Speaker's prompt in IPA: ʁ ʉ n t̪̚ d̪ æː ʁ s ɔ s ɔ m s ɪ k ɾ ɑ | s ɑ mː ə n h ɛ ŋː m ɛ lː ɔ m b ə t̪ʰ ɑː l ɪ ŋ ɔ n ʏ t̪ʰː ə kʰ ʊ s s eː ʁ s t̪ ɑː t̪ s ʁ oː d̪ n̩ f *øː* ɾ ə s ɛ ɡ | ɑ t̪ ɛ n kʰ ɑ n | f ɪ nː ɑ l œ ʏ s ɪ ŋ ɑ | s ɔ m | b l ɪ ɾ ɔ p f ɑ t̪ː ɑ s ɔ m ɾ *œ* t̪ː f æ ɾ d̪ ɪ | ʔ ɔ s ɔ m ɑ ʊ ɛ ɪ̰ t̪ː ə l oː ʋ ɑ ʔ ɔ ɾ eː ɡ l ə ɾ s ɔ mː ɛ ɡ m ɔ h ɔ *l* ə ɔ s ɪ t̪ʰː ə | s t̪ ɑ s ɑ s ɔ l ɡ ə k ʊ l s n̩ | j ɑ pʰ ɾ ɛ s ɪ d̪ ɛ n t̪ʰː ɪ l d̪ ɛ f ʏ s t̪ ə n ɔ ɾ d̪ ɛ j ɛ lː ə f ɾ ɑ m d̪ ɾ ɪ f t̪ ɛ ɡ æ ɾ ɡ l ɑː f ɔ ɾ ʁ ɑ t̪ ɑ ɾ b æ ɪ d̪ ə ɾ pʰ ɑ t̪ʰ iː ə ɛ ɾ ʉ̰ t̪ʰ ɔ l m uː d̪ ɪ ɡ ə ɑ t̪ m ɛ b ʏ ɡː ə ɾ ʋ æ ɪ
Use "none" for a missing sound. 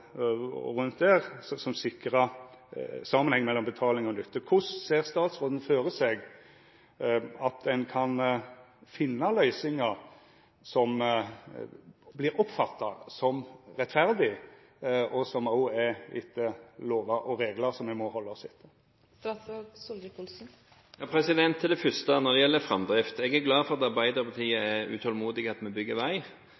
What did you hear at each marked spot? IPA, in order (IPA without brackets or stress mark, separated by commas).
øː, ɛ, lː